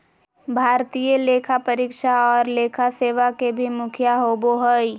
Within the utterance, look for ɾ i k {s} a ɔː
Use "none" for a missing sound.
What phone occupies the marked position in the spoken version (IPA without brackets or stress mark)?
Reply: ʃ